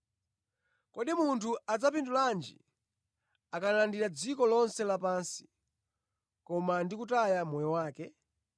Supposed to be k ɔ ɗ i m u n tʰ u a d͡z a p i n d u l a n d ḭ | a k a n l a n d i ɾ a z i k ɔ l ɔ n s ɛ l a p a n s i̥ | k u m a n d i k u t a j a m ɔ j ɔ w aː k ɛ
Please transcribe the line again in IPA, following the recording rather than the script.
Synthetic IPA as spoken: k ɔ ɗ i m u n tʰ u a d͡z a p i n d u l a n d͡ʒ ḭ | a k a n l a n d i ɾ a d͡z i k ɔ l ɔ n s ɛ l a p a n s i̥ | k ɔ m a n d i k u t a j a m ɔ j ɔ w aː k ɛ